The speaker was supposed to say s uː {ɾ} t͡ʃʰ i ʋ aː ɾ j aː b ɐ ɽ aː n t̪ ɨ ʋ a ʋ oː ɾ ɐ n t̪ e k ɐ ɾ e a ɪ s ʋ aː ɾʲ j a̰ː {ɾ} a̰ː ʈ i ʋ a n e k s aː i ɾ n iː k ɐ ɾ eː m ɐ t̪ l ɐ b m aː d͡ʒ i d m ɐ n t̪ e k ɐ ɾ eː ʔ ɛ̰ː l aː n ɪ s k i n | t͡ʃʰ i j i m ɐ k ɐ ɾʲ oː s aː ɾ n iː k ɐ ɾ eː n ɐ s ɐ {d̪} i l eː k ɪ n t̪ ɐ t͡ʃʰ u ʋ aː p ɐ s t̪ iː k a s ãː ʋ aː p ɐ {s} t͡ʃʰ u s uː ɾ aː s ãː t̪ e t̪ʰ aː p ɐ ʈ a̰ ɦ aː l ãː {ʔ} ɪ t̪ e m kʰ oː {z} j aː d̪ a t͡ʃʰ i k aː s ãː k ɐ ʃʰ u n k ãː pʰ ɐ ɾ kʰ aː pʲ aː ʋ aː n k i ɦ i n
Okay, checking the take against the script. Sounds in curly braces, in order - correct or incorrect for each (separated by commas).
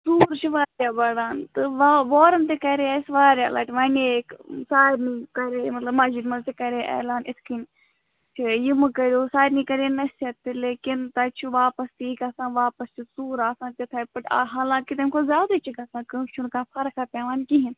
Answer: correct, incorrect, incorrect, correct, incorrect, correct